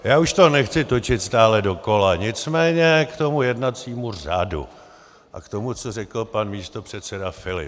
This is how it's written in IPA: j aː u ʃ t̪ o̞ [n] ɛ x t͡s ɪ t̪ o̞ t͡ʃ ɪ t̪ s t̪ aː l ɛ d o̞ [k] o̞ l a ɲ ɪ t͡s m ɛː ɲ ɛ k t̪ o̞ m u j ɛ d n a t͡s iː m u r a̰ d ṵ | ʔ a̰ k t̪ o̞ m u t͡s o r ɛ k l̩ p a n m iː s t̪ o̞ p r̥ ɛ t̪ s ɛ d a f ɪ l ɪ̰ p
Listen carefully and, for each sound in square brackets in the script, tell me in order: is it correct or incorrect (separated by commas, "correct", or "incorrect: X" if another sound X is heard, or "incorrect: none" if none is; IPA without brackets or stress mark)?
correct, correct